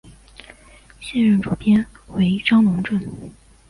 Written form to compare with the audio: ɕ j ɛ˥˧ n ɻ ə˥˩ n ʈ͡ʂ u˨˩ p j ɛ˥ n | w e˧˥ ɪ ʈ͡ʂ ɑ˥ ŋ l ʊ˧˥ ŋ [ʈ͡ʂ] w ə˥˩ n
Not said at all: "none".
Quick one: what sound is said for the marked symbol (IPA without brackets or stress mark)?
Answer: ʈ͡ʂ